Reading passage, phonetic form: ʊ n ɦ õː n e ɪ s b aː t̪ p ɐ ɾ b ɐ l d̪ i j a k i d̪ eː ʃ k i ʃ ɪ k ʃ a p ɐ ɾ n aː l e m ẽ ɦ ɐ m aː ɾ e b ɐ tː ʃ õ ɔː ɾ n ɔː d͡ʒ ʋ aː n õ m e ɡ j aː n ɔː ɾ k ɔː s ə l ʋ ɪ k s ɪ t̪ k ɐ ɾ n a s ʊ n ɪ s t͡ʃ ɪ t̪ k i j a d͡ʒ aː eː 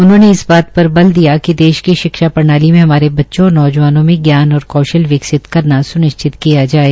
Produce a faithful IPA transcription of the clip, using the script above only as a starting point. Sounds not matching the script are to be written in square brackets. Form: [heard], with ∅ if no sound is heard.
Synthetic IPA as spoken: ʊ n ɦ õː n e ɪ s b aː t̪ p ɐ ɾ b ɐ l d̪ i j a k i d̪ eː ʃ k i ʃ ɪ k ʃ a p ɐ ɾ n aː l [i] m ẽ ɦ ɐ m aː ɾ e b ɐ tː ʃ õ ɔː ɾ n ɔː d͡ʒ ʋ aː n õ m [ẽ] ɡ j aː n ɔː ɾ k ɔː [ʃ] ə l ʋ ɪ k s ɪ t̪ k ɐ ɾ n a s ʊ n ɪ [ʃ] t͡ʃ ɪ t̪ k i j a d͡ʒ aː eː